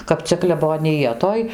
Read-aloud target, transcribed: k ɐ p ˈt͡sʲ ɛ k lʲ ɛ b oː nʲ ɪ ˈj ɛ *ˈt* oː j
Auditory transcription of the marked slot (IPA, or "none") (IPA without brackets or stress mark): t